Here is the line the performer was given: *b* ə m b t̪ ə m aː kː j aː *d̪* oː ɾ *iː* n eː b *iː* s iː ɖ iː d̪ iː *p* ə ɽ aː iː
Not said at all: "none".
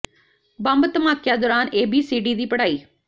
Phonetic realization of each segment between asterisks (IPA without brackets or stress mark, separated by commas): b, d̪, aː, iː, p